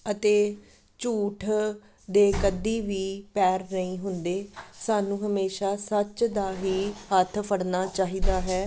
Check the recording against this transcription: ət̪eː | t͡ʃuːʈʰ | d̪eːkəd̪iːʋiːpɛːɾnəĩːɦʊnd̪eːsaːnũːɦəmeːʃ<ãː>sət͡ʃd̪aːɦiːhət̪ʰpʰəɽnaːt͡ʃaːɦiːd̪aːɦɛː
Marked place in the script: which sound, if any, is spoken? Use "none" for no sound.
aː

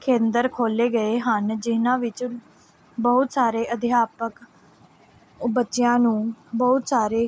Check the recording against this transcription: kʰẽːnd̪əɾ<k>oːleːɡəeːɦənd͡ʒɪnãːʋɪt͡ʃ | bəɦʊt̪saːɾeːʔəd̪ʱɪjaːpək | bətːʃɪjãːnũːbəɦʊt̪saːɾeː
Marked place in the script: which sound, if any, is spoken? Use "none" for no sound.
kʰ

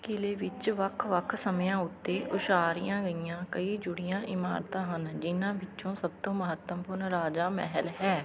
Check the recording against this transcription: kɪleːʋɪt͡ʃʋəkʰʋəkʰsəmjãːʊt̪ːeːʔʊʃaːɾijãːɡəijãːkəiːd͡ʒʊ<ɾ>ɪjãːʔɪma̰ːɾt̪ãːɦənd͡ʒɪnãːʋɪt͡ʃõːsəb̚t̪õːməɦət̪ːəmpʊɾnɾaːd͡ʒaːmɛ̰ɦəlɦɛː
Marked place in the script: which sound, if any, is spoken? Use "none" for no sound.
ɽ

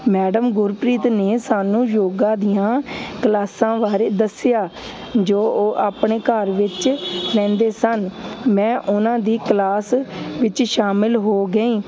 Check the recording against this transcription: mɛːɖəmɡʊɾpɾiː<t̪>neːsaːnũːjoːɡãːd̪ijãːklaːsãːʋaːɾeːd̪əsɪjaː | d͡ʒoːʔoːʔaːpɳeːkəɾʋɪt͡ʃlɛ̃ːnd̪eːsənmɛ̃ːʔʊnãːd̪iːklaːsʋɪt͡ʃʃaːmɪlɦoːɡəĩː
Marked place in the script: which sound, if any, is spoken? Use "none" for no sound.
t̪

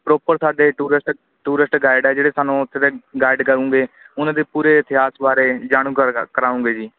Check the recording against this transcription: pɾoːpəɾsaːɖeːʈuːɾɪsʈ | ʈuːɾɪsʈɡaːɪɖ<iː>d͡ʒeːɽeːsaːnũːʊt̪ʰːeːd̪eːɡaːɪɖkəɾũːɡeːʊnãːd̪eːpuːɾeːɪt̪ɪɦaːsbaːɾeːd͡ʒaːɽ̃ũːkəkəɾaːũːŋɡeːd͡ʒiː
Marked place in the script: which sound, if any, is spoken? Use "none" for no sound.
ɛː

